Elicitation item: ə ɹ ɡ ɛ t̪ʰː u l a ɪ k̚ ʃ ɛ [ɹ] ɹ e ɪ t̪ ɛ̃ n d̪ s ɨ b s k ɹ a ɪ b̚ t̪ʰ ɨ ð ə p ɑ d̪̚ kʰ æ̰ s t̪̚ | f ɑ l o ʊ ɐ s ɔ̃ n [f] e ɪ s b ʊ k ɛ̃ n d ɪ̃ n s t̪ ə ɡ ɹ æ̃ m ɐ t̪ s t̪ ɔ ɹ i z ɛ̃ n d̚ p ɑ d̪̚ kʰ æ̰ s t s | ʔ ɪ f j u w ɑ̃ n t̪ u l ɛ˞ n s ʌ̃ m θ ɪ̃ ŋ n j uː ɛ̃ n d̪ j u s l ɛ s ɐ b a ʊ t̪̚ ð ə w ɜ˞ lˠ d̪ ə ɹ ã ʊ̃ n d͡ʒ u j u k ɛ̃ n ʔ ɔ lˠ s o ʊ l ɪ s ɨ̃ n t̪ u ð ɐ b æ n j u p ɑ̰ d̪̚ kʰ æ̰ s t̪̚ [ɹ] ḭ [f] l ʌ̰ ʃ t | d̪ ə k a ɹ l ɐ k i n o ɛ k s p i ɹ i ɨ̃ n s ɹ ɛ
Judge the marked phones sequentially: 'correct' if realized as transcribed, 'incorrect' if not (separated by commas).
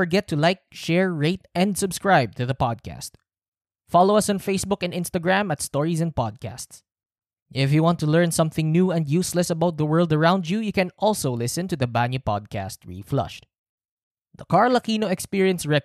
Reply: correct, correct, correct, correct